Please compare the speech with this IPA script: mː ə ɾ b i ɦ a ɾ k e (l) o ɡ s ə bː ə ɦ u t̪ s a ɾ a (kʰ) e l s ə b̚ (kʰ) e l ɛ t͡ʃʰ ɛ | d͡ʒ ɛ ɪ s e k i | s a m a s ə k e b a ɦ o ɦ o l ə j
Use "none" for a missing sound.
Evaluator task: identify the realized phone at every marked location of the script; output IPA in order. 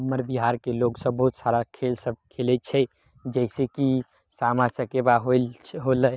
l, kʰ, kʰ

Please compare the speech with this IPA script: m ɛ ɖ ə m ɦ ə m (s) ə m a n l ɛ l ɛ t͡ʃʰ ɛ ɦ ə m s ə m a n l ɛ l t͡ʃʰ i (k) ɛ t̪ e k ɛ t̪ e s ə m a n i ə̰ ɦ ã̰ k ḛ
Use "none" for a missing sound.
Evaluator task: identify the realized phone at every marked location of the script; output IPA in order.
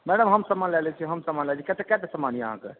s, k

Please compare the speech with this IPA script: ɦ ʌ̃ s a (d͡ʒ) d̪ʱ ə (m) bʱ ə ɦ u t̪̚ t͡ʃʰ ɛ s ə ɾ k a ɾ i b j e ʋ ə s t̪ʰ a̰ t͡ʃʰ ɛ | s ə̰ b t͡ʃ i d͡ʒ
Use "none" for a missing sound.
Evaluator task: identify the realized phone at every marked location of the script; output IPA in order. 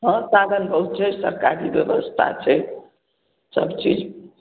none, n

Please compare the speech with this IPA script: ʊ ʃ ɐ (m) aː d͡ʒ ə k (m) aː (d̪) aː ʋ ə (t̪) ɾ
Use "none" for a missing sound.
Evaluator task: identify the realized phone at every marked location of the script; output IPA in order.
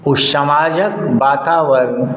m, b, t̪, none

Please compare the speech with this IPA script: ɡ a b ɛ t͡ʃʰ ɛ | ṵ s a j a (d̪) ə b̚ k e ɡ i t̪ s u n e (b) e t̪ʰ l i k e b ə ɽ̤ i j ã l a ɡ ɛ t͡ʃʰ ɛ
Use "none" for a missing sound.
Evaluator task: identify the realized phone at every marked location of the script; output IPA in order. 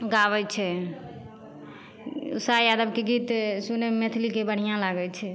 d̪, m

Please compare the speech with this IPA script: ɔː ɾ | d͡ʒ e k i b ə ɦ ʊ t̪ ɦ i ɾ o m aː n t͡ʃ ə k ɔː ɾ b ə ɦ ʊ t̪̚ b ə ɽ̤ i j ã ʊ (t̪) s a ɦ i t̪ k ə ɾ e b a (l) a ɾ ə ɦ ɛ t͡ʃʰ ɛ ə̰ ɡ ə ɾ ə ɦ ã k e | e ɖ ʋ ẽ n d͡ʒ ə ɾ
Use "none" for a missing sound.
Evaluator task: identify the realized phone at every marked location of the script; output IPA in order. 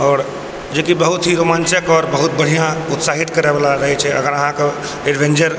t̪, l

